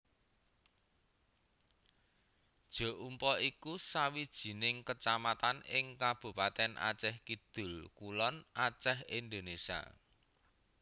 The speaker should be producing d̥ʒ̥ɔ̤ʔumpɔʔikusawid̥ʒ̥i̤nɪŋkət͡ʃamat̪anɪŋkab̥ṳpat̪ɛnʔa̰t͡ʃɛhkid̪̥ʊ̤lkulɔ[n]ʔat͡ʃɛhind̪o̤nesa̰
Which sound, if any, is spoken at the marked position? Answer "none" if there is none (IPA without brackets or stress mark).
n